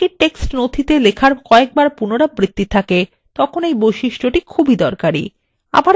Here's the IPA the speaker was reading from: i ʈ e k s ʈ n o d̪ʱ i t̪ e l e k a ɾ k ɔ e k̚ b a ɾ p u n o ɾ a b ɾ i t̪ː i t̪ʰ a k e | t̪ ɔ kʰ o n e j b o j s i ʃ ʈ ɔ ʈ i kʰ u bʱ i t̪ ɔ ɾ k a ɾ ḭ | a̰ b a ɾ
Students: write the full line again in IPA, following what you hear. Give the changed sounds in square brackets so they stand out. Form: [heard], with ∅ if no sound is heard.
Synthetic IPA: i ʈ e k s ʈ n o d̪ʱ i t̪ e l e [kʰ] a ɾ k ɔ e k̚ b a ɾ p u n o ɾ a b ɾ i t̪ː i t̪ʰ a k e | t̪ ɔ kʰ o n e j b o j [ʃ] i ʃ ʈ [o] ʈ i kʰ u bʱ i [d̪] ɔ ɾ k a ɾ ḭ | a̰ b a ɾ

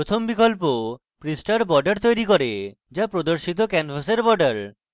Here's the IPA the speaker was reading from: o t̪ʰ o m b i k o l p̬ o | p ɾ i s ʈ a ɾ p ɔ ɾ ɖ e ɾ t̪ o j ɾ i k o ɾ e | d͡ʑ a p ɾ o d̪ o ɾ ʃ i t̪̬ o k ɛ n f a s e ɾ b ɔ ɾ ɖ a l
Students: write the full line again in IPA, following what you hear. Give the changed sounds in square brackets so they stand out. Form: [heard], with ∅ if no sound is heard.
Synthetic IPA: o t̪ʰ o m b i k o l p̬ o | p ɾ i s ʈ a ɾ [b] ɔ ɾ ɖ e ɾ t̪ o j ɾ i k o ɾ e | d͡ʑ a p ɾ o d̪ o ɾ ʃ i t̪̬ o k ɛ n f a s e ɾ b ɔ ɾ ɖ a [ɾ]

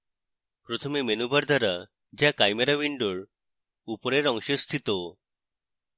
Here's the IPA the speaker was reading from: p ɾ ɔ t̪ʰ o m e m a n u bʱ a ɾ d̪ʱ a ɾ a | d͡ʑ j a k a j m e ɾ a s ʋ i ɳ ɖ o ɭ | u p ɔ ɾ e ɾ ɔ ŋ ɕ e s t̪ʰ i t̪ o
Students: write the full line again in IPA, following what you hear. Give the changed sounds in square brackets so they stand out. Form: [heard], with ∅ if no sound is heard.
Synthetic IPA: p ɾ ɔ t̪ʰ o m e m [e] n u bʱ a ɾ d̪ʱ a ɾ a | d͡ʑ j a k a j m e ɾ a [∅] ʋ i ɳ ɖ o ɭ | u p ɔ ɾ e ɾ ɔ ŋ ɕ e s t̪ʰ i t̪ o

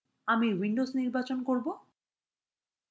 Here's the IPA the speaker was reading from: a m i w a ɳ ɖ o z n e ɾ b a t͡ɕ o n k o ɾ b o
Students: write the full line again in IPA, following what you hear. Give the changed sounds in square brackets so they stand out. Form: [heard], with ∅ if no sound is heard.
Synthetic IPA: a m i w [i] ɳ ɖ o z n [i] ɾ b a t͡ɕ o n k o ɾ b o

